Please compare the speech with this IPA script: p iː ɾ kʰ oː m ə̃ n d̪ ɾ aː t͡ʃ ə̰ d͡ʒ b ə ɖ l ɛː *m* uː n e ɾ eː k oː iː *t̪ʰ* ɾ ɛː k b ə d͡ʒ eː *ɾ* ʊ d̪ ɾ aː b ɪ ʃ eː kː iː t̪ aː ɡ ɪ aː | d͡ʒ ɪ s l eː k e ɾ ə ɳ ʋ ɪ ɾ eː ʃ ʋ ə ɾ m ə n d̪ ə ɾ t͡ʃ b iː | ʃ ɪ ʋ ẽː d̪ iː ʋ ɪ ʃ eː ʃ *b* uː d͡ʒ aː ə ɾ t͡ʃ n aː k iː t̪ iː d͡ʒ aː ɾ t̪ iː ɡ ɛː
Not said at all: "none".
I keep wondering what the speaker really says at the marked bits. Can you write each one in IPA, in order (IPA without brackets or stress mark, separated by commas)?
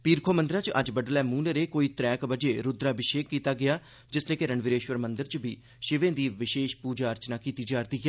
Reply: m, t̪, ɾ, p